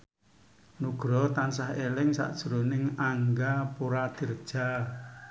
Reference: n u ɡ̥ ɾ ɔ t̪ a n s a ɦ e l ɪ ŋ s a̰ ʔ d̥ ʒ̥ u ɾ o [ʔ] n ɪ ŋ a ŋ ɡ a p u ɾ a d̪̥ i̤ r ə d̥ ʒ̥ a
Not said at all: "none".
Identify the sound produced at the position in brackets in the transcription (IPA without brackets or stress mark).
none